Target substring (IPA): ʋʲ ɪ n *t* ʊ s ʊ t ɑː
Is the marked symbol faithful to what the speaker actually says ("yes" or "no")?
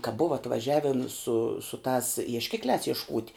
no